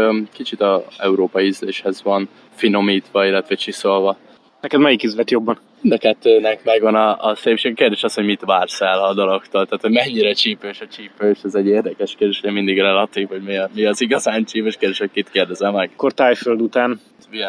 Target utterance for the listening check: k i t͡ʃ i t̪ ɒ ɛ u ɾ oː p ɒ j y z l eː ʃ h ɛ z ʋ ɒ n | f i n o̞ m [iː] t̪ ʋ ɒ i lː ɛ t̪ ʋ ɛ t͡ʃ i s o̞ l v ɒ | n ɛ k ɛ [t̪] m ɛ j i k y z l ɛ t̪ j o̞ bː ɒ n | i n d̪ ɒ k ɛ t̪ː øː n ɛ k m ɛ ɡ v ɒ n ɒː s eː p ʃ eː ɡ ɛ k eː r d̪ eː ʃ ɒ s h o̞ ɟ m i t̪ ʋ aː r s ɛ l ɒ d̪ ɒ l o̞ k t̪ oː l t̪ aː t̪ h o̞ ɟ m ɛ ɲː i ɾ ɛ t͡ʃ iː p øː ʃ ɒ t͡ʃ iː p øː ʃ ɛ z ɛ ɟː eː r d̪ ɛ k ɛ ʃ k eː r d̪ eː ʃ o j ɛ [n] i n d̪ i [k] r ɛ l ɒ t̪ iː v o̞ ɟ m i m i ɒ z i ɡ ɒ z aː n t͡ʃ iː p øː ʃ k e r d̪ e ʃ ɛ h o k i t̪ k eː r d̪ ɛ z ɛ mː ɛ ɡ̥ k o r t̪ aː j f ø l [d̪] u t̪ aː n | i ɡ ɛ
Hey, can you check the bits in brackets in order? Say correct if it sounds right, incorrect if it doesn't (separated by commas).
correct, incorrect, incorrect, incorrect, correct